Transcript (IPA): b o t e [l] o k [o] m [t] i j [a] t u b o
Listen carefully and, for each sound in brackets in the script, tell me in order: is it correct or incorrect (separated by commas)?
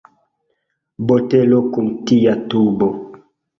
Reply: correct, incorrect, correct, correct